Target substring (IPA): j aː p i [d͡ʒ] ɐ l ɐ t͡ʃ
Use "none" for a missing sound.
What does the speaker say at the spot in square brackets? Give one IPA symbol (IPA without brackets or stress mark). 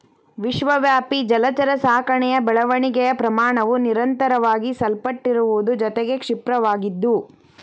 d͡ʒ